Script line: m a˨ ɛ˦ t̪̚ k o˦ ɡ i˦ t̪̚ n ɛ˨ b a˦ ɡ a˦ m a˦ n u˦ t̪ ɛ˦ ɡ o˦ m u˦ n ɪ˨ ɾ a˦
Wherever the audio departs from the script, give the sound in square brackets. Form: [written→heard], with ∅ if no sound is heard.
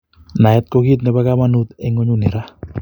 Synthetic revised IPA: [m→n] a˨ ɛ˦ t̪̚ k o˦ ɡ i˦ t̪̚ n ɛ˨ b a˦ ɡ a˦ m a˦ n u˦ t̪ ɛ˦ [ɡ→ŋ] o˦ [m→ɲ] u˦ n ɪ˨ ɾ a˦